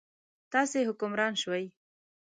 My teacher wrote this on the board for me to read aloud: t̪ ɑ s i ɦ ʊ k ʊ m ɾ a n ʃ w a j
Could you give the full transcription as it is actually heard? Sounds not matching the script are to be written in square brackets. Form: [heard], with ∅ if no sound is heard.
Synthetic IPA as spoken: t̪ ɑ s [e] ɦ ʊ k ʊ m ɾ [ɑ] n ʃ w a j